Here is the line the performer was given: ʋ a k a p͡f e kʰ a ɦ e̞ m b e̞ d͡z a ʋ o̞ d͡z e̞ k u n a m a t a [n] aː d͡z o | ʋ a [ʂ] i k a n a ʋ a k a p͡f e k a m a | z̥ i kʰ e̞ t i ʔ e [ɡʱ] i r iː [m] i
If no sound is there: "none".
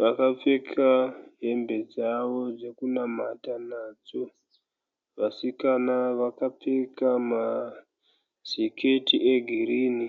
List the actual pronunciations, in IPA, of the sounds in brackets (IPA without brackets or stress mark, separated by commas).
n, s, ɡʱ, n